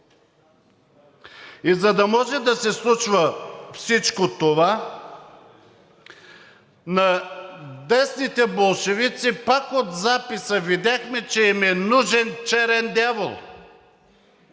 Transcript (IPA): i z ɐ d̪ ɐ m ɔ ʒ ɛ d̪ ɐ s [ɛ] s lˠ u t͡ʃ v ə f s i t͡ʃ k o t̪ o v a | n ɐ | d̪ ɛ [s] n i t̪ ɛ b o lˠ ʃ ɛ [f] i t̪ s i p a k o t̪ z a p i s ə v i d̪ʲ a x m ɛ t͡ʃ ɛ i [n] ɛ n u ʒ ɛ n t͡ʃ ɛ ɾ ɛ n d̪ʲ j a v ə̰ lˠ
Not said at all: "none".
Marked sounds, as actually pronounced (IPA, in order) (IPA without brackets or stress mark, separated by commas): ɛ, s, v, m